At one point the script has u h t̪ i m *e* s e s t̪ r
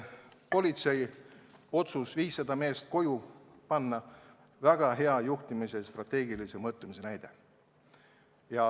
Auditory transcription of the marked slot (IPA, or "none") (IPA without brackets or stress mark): i